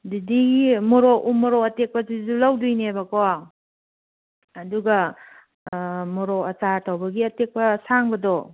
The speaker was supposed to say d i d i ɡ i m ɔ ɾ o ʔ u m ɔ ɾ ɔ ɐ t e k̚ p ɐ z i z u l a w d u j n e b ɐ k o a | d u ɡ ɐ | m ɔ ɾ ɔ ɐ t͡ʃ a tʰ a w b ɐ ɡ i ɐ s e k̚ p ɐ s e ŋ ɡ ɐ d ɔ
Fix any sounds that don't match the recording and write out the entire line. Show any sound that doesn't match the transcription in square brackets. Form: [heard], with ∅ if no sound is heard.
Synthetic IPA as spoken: d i d i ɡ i m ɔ ɾ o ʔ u m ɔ ɾ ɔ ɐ t e k̚ p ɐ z i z u l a w d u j n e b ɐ k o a | d u ɡ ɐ | m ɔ ɾ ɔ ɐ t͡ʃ a tʰ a w b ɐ ɡ i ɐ [t] e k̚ p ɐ s [a] ŋ [b] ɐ d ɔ